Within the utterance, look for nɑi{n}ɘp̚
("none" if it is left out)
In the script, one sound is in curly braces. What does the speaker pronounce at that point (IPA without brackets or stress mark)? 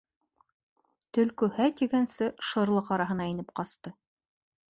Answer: n